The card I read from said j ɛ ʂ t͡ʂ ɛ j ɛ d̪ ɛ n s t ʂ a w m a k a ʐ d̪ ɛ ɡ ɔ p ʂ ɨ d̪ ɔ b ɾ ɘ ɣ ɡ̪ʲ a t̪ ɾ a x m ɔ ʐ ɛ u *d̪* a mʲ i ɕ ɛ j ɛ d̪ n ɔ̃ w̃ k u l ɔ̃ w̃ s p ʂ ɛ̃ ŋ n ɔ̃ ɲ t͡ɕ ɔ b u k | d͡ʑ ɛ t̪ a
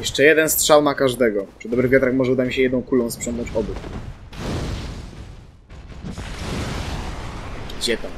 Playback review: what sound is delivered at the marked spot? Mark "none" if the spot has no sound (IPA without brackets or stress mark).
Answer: d̪